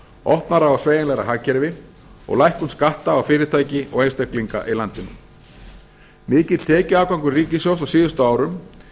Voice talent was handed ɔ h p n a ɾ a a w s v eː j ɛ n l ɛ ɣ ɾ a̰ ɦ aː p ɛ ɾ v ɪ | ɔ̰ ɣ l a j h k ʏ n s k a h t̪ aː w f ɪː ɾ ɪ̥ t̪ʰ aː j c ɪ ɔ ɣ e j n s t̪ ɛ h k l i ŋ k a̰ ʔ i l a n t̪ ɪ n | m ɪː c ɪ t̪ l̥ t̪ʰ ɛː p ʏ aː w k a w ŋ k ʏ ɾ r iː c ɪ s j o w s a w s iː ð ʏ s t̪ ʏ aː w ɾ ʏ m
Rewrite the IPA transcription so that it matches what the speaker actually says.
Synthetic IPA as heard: ɔ h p n a ɾ a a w s v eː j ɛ n l ɛ ɣ ɾ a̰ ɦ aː c ɛ ɾ v ɪ | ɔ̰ ɣ l a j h k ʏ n s k a h t̪ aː w f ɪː ɾ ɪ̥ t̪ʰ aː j c ɪ ɔ ɣ e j n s t̪ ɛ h k l i ŋ k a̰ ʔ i l a n t̪ ɪ n | m ɪː c ɪ t̪ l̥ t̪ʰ ɛː c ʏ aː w k a w ŋ k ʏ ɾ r iː c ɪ s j o w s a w s iː ð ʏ s t̪ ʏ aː w ɾ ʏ m